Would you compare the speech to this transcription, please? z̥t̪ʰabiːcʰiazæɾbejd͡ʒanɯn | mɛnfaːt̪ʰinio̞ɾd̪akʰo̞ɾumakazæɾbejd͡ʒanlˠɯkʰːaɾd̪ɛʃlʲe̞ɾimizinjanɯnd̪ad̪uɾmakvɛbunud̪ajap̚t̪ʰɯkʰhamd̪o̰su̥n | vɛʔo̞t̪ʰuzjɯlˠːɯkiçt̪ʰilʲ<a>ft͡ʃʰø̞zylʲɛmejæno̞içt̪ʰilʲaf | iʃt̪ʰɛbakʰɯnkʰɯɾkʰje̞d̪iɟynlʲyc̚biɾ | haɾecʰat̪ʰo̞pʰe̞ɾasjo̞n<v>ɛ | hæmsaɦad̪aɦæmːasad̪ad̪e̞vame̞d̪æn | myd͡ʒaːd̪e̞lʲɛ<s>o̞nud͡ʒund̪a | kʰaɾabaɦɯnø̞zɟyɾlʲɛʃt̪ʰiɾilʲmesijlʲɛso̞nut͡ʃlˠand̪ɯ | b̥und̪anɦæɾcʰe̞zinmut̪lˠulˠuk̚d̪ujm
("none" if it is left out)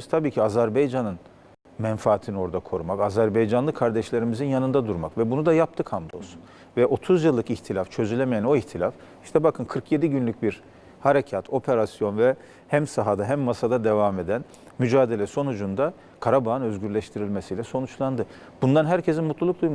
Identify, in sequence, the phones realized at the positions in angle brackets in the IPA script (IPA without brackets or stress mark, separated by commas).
a, v, s